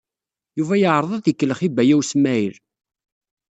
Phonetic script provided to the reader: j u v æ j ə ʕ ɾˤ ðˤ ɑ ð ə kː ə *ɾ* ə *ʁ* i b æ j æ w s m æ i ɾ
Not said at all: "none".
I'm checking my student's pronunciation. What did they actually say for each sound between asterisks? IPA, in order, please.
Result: l, χ

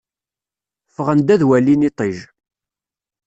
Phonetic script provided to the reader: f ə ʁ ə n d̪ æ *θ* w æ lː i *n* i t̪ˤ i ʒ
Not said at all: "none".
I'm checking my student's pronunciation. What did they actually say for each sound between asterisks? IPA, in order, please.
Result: ð, n

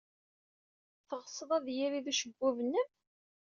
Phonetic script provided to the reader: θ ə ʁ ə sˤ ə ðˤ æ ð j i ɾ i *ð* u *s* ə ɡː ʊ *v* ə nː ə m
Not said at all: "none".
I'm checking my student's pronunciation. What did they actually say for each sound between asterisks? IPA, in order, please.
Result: ð, ʃ, v

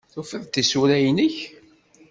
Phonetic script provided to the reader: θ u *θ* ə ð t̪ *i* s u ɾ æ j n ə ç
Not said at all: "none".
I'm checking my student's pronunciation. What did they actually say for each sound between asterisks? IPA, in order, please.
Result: f, i

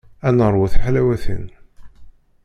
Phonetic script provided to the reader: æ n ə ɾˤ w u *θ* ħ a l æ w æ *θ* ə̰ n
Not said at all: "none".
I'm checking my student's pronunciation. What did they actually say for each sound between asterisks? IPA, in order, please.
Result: θ, θ

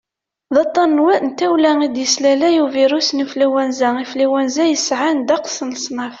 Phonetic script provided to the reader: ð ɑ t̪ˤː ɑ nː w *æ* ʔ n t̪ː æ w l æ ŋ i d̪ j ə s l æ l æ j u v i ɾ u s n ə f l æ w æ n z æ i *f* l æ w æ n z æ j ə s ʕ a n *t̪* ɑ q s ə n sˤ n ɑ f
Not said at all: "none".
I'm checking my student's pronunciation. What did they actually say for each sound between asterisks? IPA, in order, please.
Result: æ, f, d̪

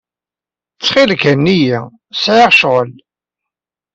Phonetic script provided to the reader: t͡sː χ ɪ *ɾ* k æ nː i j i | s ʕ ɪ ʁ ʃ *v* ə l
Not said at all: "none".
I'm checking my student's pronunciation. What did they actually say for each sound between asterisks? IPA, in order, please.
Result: l, ʁ

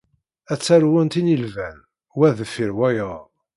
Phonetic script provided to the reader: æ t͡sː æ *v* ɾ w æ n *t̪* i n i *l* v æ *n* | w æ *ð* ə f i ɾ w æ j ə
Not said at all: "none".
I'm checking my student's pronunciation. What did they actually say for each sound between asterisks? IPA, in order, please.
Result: none, t̪, l, n, ð

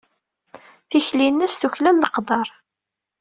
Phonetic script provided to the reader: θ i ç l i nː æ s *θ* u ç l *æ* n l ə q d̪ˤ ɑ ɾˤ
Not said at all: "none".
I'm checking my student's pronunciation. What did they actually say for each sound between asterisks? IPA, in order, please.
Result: θ, æ

